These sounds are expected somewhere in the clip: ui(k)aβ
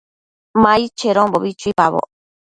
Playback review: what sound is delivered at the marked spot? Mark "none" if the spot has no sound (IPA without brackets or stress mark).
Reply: p